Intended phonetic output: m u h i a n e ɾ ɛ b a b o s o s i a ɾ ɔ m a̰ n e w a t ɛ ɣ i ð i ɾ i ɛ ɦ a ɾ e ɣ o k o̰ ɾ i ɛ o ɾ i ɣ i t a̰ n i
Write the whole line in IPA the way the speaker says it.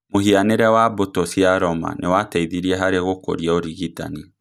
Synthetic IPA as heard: m o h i a n e ɾ ɛ w a b o t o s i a ɾ ɔ m a̰ n e w a t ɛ i ð i ɾ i ɛ ɦ a ɾ e ɣ o k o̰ ɾ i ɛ o ɾ i ɣ i t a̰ n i